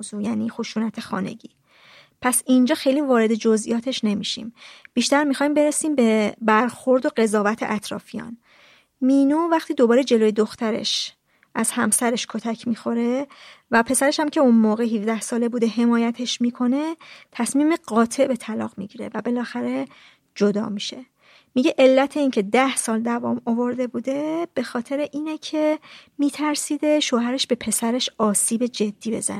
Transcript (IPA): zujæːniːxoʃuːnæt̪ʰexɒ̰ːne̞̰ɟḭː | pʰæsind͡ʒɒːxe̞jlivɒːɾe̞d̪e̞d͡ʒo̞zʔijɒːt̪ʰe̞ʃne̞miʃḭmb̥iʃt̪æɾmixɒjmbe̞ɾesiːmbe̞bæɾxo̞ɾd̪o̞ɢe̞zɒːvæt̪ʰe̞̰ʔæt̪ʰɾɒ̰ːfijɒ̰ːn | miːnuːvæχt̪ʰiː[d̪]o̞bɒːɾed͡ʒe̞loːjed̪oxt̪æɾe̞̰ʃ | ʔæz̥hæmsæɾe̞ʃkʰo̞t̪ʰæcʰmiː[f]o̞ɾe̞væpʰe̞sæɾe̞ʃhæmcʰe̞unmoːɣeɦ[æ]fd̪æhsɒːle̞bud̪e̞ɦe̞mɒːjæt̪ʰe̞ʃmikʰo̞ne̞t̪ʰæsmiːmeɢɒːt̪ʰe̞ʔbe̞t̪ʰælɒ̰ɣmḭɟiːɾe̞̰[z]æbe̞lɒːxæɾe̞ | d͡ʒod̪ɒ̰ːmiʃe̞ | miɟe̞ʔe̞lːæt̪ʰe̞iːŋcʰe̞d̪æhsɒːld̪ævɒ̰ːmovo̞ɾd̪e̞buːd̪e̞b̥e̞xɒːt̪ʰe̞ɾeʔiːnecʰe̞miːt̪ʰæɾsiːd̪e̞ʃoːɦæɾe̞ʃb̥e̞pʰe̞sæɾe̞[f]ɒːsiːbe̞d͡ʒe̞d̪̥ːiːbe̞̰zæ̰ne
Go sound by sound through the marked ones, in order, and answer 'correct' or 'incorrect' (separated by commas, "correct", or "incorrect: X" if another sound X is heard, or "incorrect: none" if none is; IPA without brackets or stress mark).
correct, incorrect: x, incorrect: i, incorrect: v, incorrect: ʃ